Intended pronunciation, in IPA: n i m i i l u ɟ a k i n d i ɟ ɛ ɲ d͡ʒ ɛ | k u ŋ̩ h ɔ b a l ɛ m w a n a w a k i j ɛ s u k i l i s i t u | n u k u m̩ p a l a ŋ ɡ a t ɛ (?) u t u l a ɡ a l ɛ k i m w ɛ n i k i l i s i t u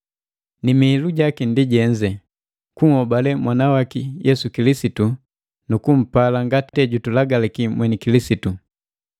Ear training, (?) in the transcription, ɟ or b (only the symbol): ɟ